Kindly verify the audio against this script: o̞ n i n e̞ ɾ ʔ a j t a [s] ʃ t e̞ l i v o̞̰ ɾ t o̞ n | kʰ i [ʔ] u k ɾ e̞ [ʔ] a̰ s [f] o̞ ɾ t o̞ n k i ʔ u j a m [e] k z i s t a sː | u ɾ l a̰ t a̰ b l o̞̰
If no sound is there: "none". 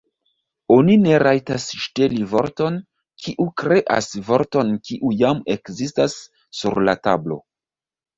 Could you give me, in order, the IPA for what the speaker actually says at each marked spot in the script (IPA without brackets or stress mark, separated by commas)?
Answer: s, ʔ, ʔ, v, e